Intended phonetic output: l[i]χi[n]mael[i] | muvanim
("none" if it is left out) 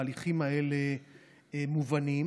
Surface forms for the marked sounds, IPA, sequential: i, none, e

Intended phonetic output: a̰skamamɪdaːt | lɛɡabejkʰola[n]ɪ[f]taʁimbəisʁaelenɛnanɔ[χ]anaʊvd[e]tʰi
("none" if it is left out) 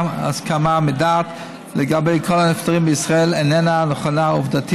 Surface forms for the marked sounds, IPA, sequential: n, f, χ, a

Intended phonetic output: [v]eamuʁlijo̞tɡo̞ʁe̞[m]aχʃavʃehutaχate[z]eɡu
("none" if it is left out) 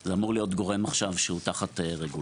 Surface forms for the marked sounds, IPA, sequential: z, m, ʁ

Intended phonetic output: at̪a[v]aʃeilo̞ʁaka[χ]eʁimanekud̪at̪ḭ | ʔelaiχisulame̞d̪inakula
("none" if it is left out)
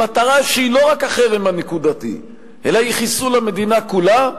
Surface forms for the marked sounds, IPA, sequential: ʁ, χ

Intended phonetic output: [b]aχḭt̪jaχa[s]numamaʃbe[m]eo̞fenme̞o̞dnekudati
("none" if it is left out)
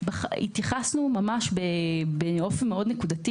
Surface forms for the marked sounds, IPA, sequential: b, s, b

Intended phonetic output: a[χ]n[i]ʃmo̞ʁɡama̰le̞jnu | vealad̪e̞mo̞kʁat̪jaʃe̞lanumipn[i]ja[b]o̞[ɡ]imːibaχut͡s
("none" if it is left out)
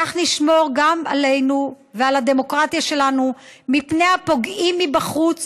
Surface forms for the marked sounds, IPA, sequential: χ, i, e, p, ɡ

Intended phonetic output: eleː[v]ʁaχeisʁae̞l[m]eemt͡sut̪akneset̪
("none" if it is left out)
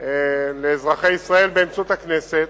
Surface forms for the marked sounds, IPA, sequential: z, b

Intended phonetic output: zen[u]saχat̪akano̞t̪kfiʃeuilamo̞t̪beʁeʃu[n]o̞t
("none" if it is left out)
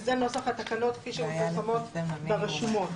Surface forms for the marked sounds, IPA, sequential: o, m

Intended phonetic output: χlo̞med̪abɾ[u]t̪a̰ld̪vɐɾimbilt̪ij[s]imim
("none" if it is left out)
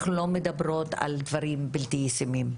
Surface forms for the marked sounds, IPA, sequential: o, s

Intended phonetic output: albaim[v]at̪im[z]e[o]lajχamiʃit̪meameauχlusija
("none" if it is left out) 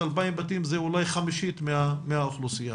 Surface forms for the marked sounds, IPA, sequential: b, z, u

